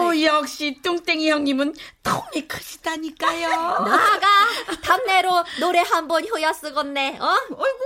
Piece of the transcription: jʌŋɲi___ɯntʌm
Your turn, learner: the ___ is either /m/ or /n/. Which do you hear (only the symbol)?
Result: m